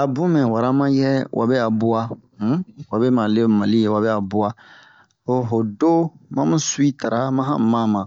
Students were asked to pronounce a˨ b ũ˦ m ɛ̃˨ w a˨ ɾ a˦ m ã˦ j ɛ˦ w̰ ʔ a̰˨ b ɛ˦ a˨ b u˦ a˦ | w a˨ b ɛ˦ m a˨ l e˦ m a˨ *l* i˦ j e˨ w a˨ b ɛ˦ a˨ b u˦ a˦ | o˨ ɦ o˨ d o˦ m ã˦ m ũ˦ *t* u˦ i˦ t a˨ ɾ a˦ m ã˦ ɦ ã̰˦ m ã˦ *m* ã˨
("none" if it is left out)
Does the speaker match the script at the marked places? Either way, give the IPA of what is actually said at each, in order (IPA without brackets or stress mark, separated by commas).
l, s, m